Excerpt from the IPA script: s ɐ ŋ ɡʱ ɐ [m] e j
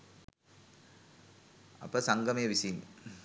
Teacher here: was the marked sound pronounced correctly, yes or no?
yes